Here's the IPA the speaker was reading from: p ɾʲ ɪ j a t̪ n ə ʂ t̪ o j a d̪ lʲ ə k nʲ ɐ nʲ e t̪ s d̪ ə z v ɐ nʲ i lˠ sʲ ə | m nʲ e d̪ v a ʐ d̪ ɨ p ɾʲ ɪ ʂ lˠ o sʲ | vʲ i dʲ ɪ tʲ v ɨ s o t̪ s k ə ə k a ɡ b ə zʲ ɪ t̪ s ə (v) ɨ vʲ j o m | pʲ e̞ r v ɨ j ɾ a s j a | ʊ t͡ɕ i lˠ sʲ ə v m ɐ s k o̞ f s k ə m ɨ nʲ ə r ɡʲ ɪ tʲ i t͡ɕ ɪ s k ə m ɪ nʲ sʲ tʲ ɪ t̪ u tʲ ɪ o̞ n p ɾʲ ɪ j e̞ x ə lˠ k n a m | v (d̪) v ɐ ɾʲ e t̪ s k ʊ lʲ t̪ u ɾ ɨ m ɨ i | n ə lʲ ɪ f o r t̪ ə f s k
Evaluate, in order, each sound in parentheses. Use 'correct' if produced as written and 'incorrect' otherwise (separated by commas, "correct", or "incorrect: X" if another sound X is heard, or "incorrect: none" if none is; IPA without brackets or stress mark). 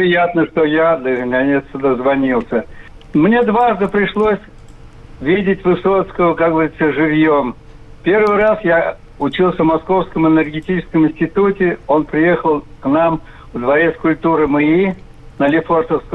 incorrect: ʐ, correct